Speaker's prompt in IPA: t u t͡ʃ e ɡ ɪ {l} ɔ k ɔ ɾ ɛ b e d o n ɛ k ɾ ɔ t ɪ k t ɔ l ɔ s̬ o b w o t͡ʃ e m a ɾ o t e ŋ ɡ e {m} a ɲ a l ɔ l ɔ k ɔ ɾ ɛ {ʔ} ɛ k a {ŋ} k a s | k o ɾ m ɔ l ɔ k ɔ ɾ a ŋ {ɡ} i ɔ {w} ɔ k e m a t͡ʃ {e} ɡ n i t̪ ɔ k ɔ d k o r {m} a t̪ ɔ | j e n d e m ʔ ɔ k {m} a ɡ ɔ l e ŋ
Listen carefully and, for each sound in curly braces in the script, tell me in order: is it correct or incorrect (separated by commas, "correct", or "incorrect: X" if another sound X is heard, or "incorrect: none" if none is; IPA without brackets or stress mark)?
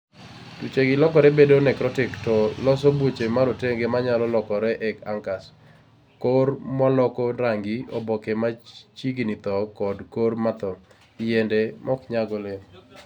correct, correct, correct, correct, correct, incorrect: b, incorrect: i, correct, incorrect: ɲ